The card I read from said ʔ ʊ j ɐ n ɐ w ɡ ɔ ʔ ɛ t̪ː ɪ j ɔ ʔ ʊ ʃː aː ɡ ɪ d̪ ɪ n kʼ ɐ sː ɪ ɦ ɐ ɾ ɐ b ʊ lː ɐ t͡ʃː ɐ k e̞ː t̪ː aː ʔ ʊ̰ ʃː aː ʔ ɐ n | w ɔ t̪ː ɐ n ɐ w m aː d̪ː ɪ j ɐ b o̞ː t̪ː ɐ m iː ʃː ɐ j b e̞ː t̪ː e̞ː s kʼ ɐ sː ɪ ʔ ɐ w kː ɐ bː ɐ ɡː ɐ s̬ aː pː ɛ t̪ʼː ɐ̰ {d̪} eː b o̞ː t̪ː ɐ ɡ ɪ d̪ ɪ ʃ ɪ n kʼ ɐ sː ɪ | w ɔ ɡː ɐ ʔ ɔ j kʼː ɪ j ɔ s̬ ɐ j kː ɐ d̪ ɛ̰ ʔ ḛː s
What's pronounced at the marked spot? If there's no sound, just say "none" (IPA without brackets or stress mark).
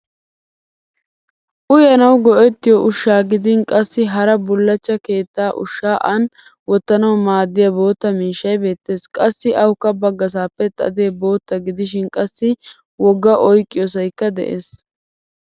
d̪